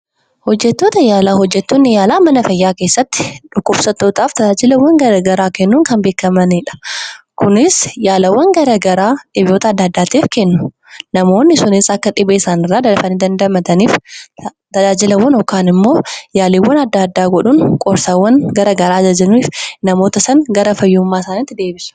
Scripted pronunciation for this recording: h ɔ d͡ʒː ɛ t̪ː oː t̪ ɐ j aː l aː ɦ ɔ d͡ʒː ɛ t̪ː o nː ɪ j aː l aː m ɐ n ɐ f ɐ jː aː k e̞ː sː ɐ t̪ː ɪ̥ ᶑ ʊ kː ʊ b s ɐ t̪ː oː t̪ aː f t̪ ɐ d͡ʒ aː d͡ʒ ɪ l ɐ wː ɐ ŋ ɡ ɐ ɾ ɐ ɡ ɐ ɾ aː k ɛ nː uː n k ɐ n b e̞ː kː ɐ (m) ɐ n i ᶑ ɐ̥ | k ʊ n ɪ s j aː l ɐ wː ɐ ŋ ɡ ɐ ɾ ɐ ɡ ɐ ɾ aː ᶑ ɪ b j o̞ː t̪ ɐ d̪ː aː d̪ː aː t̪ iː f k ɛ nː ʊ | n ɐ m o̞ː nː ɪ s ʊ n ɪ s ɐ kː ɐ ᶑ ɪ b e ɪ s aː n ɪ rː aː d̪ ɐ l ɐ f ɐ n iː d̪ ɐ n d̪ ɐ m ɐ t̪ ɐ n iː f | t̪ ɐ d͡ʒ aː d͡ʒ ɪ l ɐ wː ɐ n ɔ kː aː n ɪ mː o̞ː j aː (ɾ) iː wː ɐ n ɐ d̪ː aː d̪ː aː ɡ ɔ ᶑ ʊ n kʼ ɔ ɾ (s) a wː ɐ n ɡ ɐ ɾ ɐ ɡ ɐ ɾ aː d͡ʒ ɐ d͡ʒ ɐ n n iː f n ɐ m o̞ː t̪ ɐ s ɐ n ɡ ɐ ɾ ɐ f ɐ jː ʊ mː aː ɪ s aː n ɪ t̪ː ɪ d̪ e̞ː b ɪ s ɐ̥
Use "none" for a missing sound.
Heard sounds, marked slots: m, l, s

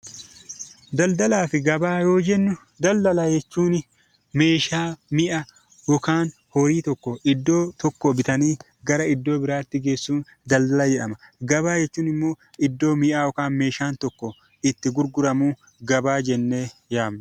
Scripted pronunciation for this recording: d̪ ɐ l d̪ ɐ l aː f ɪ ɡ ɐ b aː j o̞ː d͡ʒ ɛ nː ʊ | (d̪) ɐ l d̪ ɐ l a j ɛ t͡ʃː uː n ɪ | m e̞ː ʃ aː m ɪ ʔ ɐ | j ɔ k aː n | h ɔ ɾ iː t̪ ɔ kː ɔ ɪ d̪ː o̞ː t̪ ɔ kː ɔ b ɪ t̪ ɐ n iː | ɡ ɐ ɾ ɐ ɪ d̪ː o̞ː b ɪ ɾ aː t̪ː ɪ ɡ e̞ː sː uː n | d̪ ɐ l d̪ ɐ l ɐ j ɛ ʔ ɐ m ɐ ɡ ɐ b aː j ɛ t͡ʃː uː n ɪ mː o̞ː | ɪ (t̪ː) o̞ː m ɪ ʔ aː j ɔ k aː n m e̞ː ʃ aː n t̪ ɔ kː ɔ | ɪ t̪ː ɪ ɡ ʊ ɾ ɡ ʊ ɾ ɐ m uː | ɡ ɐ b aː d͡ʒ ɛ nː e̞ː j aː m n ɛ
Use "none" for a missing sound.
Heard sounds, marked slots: d̪, d̪ː

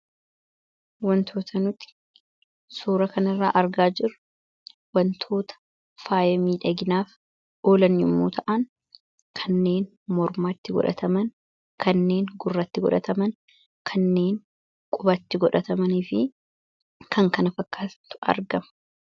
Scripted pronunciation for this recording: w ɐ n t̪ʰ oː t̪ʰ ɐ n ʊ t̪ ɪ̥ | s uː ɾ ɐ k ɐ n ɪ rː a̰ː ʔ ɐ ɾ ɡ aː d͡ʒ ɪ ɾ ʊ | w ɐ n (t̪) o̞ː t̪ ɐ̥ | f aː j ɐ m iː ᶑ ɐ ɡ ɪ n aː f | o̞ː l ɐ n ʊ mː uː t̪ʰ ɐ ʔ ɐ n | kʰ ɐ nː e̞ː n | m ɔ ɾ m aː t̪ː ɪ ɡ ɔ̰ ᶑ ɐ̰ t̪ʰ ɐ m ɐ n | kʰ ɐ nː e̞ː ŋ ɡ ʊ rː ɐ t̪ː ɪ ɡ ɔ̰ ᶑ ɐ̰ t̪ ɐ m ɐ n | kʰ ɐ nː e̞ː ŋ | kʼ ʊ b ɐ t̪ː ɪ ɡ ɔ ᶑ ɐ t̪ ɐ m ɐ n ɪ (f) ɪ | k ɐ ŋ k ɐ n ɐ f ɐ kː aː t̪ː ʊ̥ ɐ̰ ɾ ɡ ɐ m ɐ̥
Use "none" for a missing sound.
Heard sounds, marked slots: t̪ʰ, f

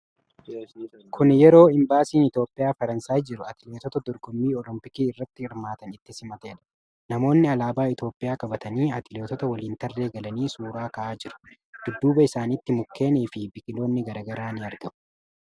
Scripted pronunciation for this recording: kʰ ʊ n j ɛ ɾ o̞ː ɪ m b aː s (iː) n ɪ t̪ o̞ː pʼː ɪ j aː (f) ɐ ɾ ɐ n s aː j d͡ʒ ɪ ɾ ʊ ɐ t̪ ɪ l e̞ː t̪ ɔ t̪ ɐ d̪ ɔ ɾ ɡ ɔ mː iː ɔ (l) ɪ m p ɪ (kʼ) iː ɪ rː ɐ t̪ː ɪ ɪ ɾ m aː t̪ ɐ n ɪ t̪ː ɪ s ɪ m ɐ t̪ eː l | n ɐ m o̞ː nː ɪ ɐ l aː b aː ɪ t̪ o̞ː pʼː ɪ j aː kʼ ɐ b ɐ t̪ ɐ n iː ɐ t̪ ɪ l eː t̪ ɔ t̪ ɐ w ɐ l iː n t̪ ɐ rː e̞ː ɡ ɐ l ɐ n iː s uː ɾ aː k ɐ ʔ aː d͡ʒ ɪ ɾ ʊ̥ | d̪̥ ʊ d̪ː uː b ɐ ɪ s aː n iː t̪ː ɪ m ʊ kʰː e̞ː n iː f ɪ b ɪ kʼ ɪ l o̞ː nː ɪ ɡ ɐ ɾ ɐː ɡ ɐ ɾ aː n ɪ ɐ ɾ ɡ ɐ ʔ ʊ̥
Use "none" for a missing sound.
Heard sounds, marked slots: iː, f, l, k

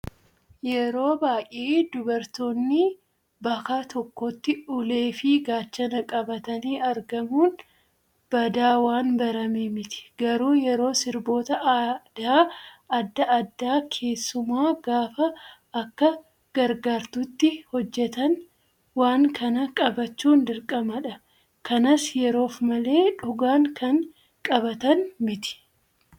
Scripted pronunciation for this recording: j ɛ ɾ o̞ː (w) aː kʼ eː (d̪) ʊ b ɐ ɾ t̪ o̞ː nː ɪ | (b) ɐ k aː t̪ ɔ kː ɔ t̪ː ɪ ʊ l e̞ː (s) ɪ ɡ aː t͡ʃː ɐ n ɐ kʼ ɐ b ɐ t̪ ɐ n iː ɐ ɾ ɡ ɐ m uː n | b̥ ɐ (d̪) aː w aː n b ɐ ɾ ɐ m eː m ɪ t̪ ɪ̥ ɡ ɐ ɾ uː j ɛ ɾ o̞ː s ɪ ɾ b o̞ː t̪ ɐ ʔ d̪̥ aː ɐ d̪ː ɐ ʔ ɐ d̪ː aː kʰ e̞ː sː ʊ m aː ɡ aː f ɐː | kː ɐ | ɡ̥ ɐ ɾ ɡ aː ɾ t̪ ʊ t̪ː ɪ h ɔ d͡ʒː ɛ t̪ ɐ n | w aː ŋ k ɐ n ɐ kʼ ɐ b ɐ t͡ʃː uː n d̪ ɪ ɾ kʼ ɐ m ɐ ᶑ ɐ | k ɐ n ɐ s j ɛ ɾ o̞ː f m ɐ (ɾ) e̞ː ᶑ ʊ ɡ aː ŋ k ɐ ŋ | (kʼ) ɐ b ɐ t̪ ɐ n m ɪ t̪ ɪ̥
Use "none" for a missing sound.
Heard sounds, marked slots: b, d̪, b, f, d̪, l, kʼ

